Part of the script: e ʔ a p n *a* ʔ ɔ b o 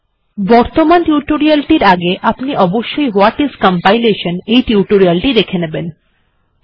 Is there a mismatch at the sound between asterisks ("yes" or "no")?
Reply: yes